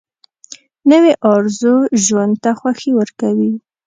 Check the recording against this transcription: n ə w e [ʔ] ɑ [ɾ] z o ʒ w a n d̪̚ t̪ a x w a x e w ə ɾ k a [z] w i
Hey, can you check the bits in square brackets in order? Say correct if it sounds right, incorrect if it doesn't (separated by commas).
correct, correct, incorrect